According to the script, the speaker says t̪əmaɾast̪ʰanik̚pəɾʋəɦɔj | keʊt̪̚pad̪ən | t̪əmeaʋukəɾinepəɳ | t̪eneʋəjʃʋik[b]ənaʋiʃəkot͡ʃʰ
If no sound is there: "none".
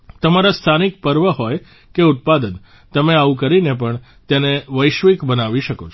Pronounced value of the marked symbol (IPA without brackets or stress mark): b